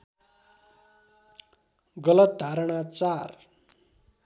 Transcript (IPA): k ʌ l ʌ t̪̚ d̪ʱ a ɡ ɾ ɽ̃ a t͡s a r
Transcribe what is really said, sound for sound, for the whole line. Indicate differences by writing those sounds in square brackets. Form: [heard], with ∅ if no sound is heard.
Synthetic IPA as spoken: [ɡ] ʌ l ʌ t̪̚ d̪ʱ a [∅] ɾ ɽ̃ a t͡s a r